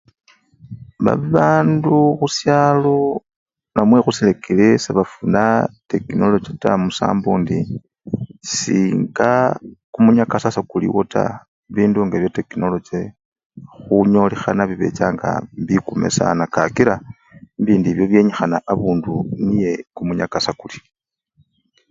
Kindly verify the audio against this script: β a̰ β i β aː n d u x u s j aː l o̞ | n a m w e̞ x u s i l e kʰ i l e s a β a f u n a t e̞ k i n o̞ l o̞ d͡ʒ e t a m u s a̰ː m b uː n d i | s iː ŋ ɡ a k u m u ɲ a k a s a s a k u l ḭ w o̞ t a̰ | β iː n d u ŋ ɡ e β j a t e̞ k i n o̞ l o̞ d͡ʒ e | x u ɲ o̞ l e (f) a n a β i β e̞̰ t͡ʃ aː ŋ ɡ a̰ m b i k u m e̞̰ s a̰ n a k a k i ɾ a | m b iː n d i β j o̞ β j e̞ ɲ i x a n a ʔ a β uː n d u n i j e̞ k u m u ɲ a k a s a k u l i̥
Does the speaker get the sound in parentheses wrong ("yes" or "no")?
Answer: yes